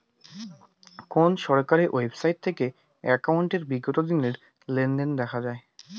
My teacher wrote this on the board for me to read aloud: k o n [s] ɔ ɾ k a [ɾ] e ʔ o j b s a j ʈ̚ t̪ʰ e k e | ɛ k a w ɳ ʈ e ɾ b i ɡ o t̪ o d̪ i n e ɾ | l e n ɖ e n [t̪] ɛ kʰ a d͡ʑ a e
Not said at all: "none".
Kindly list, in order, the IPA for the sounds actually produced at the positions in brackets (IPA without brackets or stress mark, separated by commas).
ʃ, ɾ, d̪